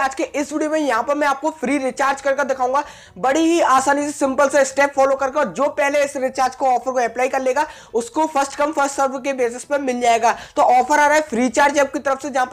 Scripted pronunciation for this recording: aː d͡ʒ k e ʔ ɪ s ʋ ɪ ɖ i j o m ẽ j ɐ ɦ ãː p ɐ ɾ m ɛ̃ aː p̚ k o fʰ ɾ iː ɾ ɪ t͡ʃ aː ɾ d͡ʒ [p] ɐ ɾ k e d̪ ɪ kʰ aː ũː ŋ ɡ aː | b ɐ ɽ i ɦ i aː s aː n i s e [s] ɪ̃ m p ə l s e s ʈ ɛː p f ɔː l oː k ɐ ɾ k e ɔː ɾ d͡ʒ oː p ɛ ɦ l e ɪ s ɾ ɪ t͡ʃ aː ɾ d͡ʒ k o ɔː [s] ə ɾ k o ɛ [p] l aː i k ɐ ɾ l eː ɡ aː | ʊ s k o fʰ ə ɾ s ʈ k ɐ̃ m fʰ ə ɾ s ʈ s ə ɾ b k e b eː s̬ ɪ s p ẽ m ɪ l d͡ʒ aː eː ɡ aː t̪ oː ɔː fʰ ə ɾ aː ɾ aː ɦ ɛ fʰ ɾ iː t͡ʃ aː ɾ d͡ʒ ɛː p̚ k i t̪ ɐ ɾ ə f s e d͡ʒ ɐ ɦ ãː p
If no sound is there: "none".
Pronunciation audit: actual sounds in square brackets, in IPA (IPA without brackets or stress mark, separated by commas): k, s, f, p